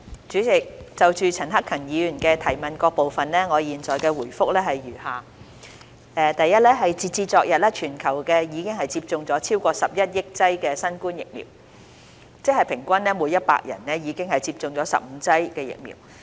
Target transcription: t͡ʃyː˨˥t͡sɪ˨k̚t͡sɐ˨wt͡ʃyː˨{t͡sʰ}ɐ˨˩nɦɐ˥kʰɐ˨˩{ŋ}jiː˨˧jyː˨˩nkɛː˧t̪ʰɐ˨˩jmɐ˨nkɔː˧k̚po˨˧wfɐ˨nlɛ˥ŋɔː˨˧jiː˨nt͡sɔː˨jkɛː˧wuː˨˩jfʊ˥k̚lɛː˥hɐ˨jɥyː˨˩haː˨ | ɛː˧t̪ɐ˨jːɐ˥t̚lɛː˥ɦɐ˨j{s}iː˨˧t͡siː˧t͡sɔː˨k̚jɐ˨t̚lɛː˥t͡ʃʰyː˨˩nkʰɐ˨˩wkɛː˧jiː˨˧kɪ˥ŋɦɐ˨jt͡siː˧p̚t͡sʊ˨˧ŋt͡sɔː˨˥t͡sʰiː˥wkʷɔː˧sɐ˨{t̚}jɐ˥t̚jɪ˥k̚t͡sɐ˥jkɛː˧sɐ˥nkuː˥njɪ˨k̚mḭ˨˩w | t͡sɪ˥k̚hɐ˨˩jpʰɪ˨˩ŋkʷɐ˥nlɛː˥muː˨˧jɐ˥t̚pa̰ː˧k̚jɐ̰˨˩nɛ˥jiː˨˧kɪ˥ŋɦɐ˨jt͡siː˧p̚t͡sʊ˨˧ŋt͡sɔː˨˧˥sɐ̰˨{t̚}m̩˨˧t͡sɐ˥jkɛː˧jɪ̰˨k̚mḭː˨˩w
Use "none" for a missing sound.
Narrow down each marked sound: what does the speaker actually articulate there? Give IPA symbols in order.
t͡sʰ, ŋ, t͡s, p̚, p̚

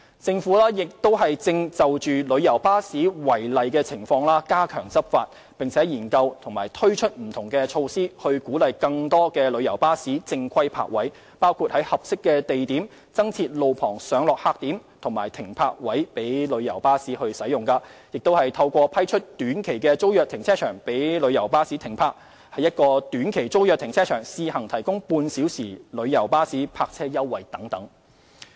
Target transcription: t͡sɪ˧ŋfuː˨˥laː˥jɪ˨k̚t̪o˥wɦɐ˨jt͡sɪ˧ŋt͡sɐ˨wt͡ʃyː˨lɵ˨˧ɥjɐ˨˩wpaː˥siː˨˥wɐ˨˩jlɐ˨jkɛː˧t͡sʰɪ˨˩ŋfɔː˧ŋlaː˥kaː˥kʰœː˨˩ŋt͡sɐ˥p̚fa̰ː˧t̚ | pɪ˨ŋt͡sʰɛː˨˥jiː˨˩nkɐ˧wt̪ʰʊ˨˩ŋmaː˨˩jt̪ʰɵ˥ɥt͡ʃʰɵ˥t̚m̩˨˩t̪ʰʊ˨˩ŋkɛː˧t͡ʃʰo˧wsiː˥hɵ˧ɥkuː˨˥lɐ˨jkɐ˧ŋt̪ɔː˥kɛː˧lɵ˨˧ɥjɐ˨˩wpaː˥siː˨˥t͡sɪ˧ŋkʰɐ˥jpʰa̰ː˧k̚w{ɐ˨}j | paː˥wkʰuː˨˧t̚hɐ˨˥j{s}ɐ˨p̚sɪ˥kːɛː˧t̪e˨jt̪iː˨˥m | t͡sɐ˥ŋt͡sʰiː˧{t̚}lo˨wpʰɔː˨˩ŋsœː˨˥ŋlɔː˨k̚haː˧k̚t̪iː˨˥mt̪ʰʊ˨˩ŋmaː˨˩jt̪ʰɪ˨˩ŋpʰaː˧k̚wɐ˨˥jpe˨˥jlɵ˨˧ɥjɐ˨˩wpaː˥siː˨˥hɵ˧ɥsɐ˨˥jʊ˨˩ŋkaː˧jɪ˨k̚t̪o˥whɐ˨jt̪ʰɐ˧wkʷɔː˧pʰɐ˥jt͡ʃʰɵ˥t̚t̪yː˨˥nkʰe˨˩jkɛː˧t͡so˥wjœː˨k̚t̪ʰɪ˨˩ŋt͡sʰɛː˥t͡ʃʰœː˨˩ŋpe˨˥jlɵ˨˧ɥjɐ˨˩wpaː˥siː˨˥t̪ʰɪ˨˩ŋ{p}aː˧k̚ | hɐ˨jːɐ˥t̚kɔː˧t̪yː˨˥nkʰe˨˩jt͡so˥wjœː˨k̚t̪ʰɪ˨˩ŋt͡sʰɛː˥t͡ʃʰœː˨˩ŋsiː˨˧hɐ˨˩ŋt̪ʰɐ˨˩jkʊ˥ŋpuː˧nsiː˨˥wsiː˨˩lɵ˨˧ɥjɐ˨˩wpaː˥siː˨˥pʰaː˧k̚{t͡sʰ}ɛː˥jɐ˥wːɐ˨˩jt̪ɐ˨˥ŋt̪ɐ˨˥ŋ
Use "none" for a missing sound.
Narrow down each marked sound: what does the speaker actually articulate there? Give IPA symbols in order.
ɐ˨˥, h, t̚, pʰ, t͡sʰ

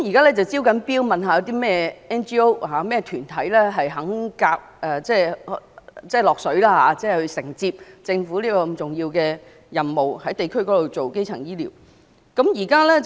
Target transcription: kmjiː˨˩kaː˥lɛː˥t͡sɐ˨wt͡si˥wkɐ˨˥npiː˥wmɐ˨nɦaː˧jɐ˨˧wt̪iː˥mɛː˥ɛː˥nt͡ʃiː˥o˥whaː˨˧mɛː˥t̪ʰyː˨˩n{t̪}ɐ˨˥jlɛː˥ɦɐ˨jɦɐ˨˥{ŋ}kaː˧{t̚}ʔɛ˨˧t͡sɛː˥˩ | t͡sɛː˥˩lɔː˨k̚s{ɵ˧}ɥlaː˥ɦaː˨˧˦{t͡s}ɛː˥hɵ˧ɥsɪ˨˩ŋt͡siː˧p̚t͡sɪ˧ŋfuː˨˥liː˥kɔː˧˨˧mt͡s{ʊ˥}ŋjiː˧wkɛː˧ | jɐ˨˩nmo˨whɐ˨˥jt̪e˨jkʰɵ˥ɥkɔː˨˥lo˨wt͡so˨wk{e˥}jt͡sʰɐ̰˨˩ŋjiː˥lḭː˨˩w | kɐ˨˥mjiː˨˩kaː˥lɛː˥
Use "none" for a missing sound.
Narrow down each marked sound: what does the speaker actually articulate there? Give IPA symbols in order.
t̪ʰ, ŋ, k̚, ɵ˨˥, t͡s, ʊ˨˩, e˥

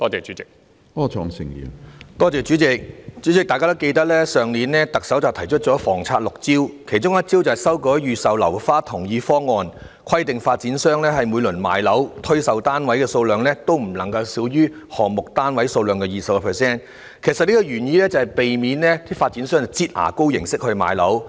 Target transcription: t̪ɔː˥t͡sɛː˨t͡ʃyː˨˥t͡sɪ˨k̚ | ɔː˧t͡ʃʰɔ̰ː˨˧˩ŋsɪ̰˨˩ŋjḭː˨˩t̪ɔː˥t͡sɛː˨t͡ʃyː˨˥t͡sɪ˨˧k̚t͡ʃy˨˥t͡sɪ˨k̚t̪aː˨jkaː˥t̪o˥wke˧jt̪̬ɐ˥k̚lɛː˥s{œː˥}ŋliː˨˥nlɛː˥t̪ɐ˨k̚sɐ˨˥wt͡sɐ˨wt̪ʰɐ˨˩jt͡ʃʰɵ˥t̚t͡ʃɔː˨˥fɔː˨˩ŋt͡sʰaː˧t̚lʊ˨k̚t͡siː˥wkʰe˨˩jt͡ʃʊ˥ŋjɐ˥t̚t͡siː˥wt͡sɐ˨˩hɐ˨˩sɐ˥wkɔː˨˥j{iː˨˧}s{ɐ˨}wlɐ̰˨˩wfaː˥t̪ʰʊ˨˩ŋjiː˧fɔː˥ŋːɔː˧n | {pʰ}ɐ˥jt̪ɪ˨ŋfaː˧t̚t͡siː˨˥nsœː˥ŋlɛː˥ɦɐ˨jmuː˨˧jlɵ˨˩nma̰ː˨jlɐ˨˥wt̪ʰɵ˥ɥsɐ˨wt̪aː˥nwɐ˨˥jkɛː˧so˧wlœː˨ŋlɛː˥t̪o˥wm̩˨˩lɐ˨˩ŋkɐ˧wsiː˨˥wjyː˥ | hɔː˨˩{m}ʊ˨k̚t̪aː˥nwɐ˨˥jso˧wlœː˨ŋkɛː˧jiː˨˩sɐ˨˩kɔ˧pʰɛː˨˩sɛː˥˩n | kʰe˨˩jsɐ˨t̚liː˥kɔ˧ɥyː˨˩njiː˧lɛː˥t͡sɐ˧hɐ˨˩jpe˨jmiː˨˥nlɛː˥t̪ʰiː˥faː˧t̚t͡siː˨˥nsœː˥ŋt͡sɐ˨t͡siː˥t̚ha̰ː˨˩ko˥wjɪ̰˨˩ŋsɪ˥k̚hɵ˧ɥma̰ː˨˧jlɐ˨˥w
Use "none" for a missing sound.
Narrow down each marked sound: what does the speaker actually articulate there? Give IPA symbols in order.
œː˨, yː˨˧, ɐ˨, kʰ, m

